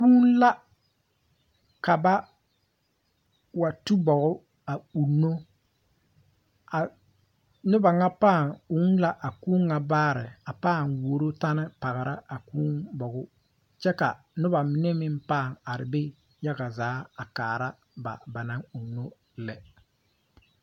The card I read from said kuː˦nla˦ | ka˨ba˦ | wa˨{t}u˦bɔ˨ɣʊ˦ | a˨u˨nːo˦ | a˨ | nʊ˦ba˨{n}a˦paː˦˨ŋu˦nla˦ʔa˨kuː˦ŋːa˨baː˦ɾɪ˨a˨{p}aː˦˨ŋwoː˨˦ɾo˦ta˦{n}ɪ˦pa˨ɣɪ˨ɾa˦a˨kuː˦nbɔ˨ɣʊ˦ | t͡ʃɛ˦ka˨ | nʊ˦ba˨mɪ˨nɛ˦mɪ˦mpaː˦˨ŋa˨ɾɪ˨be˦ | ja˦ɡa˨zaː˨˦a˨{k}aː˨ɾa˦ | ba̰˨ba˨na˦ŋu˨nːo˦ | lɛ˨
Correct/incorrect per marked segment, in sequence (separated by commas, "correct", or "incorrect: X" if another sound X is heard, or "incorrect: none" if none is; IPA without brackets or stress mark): correct, incorrect: ŋ, correct, correct, correct